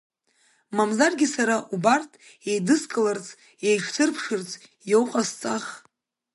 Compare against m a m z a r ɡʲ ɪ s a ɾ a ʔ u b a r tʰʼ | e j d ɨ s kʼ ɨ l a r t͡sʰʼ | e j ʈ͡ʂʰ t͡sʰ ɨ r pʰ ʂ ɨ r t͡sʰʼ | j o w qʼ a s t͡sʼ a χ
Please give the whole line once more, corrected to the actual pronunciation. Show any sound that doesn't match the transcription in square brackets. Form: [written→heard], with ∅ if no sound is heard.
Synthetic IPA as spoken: m a m z a r ɡʲ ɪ s a ɾ a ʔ u b a r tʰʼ | e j d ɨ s kʼ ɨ l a r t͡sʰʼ | e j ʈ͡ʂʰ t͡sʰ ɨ r pʰ ʂ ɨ r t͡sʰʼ | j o w qʼ a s t͡sʼ a χ